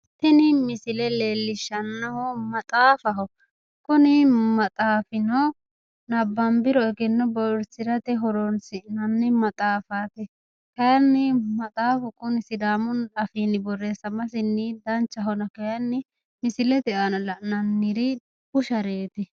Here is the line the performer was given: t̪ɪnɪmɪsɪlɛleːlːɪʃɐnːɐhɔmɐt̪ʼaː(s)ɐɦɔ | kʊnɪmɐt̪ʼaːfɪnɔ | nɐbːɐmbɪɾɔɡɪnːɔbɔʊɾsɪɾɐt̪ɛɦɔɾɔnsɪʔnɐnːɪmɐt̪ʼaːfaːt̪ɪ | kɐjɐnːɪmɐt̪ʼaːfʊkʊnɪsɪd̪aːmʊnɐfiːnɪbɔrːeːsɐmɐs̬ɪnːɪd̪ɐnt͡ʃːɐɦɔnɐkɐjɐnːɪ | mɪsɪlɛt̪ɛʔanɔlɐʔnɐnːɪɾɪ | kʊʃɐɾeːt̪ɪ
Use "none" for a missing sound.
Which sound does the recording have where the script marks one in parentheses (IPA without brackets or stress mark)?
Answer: f